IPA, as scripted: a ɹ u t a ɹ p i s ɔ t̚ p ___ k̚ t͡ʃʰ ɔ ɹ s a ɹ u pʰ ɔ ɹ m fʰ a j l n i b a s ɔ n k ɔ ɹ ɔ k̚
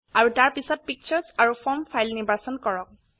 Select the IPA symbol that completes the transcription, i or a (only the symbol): i